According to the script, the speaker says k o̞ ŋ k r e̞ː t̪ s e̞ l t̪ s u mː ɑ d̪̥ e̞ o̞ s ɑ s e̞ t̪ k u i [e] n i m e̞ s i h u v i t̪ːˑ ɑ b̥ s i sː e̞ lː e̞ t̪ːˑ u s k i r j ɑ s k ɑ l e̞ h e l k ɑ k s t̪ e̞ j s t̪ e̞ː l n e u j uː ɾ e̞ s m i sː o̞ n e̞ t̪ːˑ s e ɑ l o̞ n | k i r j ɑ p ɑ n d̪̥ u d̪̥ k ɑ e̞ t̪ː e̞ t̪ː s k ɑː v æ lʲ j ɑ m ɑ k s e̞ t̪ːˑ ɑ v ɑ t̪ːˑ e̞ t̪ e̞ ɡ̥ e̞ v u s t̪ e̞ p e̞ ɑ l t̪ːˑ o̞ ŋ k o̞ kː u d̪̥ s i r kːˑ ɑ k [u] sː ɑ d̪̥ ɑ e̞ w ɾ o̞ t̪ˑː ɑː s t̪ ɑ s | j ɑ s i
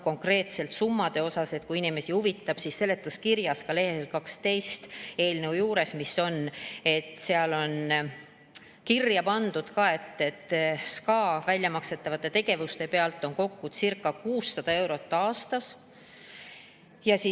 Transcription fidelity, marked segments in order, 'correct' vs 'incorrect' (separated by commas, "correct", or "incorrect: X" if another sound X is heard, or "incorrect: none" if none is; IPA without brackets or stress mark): incorrect: i, incorrect: uː